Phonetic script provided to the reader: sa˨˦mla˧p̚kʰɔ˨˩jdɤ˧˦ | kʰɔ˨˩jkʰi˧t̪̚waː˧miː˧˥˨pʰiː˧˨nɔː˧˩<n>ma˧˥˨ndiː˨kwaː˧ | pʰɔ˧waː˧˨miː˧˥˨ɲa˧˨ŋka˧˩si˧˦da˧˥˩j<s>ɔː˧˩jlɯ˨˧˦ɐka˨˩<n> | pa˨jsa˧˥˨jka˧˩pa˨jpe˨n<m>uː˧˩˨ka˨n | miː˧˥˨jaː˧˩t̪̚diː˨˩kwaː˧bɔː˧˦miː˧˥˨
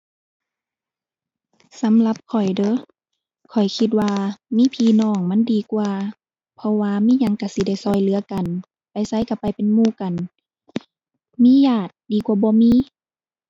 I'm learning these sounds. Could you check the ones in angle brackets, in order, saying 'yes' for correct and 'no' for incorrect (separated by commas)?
no, yes, yes, yes